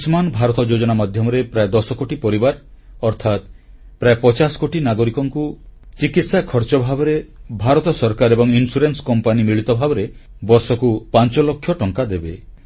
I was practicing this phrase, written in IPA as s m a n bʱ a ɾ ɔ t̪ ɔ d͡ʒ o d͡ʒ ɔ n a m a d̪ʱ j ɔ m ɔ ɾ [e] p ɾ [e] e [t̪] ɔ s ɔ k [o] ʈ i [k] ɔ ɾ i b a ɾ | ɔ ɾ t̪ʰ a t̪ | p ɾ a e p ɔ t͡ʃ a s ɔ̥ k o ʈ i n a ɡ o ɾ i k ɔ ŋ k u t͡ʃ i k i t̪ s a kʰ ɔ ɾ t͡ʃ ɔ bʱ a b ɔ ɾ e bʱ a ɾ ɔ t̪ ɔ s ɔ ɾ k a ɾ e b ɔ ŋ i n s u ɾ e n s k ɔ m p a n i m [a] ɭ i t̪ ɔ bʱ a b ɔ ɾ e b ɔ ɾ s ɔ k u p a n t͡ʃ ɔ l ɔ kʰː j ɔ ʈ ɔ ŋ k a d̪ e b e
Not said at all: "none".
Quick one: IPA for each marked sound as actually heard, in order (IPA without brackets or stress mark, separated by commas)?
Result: e, a, d̪, o, p, i